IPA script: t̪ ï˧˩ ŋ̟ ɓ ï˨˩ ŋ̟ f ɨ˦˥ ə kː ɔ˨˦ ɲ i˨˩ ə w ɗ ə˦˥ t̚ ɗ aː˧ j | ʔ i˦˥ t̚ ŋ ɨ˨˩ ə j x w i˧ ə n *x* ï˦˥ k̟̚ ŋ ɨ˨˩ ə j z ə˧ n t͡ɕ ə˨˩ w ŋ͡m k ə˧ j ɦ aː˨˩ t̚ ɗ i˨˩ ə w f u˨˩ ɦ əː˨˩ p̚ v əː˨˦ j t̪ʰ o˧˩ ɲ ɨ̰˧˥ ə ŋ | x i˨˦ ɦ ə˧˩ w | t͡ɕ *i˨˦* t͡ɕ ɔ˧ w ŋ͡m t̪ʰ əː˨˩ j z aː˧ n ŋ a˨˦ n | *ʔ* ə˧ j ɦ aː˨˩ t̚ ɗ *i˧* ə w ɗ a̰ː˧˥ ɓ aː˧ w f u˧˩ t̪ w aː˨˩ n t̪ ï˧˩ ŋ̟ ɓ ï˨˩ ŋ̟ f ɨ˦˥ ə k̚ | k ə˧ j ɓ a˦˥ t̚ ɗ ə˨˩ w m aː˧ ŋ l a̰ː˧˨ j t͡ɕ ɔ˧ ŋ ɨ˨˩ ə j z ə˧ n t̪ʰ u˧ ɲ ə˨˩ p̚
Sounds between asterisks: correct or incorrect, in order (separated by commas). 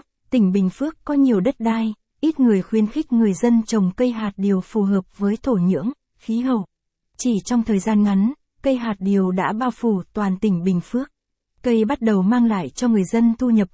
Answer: correct, incorrect, incorrect, incorrect